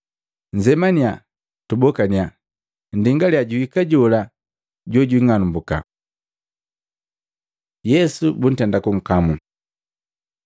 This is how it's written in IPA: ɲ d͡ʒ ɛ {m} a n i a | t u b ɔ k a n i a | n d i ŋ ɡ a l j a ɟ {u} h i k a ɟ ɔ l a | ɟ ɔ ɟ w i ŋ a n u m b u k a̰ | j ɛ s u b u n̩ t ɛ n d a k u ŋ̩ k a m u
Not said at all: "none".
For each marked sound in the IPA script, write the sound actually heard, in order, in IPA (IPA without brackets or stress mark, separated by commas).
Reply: m, u